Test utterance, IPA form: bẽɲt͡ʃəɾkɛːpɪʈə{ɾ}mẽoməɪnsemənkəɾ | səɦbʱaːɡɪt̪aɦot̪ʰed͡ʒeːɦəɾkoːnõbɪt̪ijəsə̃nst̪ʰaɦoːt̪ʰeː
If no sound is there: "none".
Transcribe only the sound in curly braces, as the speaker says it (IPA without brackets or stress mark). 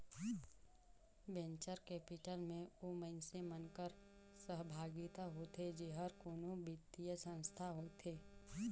l